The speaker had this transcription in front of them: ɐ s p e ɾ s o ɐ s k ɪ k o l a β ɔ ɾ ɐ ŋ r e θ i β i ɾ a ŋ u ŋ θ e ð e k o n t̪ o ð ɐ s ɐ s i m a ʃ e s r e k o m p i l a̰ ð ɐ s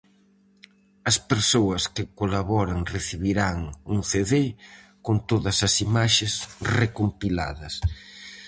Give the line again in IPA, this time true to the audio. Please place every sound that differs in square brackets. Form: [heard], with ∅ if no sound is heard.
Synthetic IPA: ɐ s p e ɾ s o ɐ s k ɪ k o l a β ɔ ɾ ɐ ŋ r e θ i β i ɾ a ŋ u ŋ θ e ð e k o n t̪ o ð ɐ s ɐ s i m a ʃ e s r e k o m p i l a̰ ð ɐ s